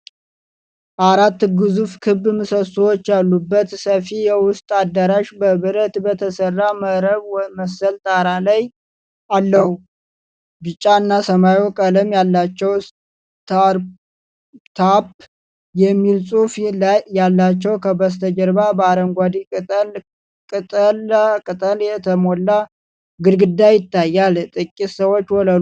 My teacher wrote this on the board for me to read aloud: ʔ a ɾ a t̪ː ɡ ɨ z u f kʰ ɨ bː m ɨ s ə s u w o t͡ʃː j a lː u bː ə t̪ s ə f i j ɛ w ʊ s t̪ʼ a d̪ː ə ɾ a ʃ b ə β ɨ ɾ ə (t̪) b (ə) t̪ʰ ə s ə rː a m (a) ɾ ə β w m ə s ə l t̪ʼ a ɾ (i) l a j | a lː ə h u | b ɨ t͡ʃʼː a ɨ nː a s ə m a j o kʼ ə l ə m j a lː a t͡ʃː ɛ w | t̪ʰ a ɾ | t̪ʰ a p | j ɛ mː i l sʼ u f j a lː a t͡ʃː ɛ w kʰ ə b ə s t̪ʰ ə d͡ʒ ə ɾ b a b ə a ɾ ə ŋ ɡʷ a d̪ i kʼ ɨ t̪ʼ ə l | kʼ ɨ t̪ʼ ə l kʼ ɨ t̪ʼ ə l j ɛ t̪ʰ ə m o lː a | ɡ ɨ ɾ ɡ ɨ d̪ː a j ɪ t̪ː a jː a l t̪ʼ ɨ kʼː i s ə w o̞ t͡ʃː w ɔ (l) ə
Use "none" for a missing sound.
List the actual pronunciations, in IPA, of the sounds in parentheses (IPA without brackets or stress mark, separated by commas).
t̪, ə, ə, a, l